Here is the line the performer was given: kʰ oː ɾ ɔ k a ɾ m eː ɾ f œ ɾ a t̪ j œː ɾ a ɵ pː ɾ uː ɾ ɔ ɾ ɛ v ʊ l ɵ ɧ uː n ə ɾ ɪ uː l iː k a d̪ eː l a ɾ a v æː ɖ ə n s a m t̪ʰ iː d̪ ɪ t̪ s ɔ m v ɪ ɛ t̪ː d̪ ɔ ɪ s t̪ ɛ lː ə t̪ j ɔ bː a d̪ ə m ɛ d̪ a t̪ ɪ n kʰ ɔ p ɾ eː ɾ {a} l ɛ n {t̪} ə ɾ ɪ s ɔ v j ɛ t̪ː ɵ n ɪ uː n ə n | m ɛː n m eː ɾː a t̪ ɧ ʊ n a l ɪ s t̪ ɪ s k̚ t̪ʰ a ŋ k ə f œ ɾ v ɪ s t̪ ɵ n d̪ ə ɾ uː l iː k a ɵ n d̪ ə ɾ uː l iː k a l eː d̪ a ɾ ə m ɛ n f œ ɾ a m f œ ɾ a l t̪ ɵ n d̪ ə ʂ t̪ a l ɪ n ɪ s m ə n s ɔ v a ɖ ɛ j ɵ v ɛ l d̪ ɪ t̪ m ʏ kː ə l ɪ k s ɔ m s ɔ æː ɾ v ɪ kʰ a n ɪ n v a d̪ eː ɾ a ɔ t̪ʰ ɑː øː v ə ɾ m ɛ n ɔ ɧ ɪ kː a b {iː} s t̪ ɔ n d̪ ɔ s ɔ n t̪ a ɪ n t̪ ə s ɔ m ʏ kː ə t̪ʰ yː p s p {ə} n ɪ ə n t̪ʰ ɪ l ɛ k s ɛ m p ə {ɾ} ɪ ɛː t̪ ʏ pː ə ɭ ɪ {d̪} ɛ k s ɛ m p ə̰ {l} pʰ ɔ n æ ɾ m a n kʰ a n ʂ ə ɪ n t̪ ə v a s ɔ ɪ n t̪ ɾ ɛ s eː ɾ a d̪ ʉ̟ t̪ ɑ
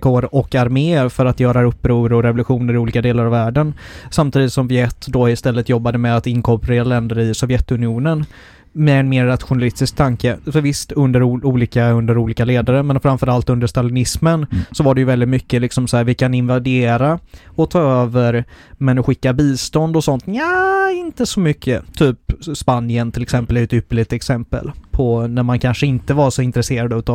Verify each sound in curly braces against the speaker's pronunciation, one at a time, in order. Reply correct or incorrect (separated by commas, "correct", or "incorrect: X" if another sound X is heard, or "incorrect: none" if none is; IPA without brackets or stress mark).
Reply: correct, incorrect: d̪, correct, incorrect: a, incorrect: l, incorrect: t̪, correct